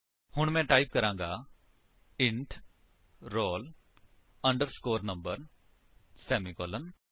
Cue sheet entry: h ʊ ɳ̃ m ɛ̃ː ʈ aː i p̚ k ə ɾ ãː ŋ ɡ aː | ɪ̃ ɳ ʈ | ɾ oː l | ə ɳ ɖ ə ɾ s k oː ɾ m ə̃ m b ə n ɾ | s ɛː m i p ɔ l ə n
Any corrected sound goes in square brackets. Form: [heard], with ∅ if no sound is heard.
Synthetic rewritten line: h ʊ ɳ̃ m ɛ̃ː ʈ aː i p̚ k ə ɾ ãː ŋ ɡ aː | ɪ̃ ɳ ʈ | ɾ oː l | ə ɳ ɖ ə ɾ s k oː ɾ [n] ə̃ m b ə [∅] ɾ | s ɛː m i [k] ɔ l ə n